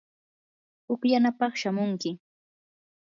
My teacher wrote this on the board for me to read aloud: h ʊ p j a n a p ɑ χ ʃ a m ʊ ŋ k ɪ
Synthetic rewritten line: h ʊ k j a n a p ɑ χ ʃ a m ʊ ŋ k ɪ